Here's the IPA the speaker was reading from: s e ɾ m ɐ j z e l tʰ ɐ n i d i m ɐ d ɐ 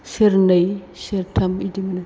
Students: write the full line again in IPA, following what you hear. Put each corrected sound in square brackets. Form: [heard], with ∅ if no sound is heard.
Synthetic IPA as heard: s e ɾ [n] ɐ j [s] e [ɾ] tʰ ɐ [m] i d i m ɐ [n] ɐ